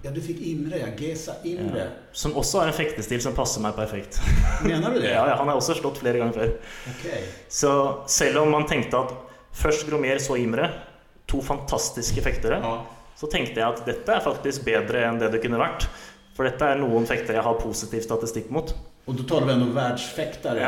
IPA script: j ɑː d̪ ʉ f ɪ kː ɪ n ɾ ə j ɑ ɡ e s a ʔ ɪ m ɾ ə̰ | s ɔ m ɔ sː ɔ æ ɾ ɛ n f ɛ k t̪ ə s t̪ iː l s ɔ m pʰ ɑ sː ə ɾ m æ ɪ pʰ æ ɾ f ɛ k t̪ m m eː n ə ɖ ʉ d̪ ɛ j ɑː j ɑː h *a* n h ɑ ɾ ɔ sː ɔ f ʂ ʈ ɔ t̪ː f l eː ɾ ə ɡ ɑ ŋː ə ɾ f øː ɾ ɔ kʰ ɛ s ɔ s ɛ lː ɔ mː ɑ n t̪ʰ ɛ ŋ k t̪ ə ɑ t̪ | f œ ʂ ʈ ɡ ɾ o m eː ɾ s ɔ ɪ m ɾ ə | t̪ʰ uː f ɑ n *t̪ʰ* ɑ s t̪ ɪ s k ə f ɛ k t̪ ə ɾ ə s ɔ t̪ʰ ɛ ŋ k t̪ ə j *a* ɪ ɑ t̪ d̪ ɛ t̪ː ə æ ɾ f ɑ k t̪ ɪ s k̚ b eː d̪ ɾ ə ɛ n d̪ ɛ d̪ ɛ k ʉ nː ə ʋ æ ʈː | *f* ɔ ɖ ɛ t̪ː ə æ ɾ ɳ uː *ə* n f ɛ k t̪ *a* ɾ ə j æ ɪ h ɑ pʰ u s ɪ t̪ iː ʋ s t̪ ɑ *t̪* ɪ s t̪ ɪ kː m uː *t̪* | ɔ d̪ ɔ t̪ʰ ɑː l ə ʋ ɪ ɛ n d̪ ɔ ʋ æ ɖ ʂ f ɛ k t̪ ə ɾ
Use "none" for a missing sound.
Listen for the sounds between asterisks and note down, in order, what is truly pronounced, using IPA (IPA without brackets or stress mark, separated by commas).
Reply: ɑ, t̪ʰ, æ, f, ə, ə, t̪, t̪